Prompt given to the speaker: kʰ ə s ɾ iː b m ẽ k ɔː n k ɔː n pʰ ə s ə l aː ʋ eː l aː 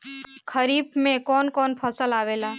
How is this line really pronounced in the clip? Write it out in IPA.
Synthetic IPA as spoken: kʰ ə ɾ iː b m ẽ k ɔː n k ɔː n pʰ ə s ə l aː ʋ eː l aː